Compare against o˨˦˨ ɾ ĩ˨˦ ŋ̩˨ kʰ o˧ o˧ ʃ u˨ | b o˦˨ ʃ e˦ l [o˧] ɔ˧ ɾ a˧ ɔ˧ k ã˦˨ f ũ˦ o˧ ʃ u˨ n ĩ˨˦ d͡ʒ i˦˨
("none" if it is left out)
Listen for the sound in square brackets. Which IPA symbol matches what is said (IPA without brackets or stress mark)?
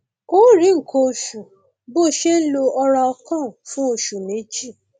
o˧